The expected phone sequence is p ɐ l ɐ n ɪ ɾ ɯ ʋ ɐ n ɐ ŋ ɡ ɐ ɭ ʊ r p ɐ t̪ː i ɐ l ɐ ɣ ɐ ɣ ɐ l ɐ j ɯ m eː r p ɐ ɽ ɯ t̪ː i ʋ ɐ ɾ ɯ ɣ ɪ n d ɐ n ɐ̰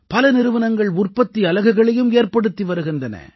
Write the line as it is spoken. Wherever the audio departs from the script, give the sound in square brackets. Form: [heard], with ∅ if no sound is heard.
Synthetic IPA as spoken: p ɐ l ɐ n ɪ ɾ ɯ ʋ ɐ n ɐ ŋ ɡ ɐ ɭ ʊ r p ɐ t̪ː i ɐ l ɐ ɣ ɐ ɣ ɐ [ɭ] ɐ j ɯ m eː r p ɐ ɽ ɯ t̪ː i ʋ ɐ ɾ ɯ ɣ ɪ n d ɐ n ɐ̰

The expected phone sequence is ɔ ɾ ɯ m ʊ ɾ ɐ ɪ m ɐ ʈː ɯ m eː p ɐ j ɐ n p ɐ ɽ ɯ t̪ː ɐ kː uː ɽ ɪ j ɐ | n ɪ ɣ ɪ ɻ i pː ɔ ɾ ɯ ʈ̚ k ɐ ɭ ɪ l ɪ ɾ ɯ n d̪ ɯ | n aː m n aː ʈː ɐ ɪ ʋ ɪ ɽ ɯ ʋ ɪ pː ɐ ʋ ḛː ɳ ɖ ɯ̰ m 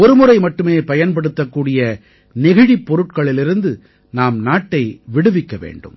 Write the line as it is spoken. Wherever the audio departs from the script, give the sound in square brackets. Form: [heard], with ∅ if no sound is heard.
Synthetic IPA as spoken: ɔ ɾ ɯ m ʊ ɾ ɐ ɪ m ɐ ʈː ɯ m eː p ɐ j ɐ n p ɐ ɽ ɯ t̪ː ɐ kː uː ɽ ɪ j ɐ | n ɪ ɣ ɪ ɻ i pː ɔ ɾ ɯ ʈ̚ k ɐ ɭ ɪ l ɪ ɾ ɯ n d̪ ɯ | n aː m n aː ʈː ɐ ɪ ʋ ɪ ɽ ɯ ʋ ɪ [kː] ɐ ʋ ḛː ɳ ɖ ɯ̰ m

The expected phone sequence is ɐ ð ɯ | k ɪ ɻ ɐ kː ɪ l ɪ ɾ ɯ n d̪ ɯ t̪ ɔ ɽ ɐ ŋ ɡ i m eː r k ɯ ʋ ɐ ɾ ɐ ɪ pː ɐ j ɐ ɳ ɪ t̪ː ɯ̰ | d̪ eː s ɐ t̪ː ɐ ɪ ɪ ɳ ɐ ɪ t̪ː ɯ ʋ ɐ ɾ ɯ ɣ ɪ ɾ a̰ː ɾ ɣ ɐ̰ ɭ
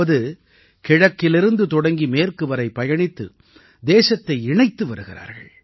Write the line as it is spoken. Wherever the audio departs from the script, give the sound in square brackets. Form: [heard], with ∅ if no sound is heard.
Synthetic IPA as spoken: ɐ ð ɯ | k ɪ ɻ ɐ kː ɪ l ɪ ɾ ɯ n d̪ ɯ t̪ ɔ ɽ ɐ ŋ ɡ i m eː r k ɯ ʋ ɐ ɾ ɐ ɪ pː ɐ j ɐ ɳ ɪ t̪ː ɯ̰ | d̪ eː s ɐ t̪ː ɐ ɪ ɪ ɳ ɐ ɪ t̪ː ɯ ʋ ɐ ɾ ɯ ɣ ɪ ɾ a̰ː ɾ ɣ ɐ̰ ɭ

